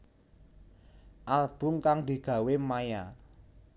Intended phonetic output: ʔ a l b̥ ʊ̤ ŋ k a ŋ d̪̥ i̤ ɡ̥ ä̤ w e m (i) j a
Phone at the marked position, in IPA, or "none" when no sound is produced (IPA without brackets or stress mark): a